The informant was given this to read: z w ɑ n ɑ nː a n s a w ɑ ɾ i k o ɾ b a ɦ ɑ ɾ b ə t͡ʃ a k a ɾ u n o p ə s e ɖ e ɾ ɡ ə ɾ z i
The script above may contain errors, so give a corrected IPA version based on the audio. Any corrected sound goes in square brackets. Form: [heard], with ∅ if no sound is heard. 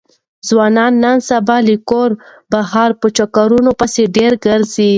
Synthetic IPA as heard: z w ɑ n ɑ nː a n s a [b] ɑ [l] i k o ɾ b a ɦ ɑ ɾ [p] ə t͡ʃ a k a ɾ u n o p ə s e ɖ e ɾ ɡ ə ɾ z i